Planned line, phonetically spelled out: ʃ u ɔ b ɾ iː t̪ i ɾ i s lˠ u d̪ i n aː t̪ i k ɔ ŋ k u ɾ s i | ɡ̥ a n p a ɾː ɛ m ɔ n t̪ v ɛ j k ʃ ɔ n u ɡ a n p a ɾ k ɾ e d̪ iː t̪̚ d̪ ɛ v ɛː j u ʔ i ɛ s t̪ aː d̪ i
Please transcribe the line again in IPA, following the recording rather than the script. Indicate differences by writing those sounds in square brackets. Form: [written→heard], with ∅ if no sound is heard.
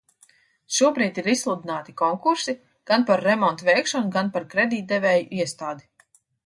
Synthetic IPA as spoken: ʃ u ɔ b ɾ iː t̪ i ɾ i s lˠ u d̪ i n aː t̪ i k ɔ ŋ k u ɾ s i | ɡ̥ a n p a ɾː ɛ m ɔ n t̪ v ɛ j k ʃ ɔ n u ɡ a n p a ɾ k ɾ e d̪ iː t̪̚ d̪ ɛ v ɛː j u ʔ i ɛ s t̪ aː d̪ i